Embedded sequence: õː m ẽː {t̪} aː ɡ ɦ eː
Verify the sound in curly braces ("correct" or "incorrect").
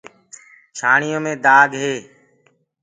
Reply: incorrect